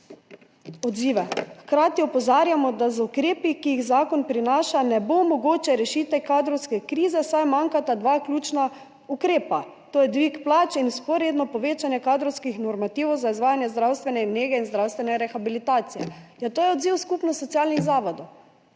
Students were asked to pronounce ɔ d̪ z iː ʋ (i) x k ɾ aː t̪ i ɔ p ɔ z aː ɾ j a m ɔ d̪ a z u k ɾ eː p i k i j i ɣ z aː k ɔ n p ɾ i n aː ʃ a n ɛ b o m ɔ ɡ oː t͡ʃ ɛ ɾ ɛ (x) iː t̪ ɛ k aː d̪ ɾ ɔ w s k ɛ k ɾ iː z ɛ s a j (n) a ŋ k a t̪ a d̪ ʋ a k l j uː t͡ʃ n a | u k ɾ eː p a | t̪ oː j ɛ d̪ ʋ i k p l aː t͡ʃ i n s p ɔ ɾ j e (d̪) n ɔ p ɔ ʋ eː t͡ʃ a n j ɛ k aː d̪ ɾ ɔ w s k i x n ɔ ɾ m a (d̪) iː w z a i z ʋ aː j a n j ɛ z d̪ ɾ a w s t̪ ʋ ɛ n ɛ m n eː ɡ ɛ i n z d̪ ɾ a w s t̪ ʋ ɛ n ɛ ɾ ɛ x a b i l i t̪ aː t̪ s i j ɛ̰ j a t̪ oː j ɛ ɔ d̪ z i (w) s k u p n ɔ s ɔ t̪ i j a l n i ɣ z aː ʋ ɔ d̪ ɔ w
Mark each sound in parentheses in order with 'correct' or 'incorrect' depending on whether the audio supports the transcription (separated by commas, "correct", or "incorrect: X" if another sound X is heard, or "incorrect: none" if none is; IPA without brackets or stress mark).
incorrect: ɛ, incorrect: ʃ, incorrect: m, correct, incorrect: t̪, correct